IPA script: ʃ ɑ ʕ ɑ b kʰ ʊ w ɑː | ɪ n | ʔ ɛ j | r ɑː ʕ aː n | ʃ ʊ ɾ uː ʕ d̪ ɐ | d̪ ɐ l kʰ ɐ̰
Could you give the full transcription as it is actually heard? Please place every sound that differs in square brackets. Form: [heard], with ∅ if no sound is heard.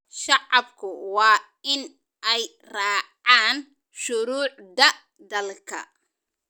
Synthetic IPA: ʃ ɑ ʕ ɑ b kʰ ʊ w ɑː | ɪ n | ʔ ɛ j | r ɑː ʕ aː n | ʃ ʊ ɾ uː ʕ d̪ ɐ | d̪ ɐ l kʰ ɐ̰